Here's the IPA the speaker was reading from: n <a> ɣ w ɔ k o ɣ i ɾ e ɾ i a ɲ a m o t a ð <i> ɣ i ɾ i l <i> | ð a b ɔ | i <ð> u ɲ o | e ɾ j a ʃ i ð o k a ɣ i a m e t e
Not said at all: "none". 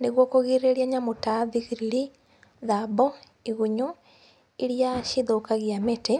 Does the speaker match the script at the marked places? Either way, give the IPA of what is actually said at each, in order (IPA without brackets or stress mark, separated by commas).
e, i, i, ɣ